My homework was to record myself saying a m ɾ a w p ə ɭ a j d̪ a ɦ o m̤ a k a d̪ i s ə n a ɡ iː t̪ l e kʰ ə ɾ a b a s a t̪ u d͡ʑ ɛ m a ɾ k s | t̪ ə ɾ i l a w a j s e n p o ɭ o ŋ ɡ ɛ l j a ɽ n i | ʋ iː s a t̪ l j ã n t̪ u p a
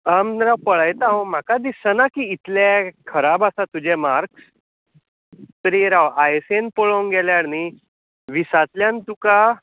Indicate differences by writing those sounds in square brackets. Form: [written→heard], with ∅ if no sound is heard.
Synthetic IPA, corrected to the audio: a m ɾ a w p ə ɭ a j [d̪→t̪] a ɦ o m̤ a k a d̪ i s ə n a [ɡ→k] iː t̪ l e kʰ ə ɾ a b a s a t̪ u d͡ʑ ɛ m a ɾ k s | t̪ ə ɾ i [l→ɾ] a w a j s e n p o ɭ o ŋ ɡ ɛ l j a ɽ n i | ʋ [iː→i] s a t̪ l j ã n t̪ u [p→k] a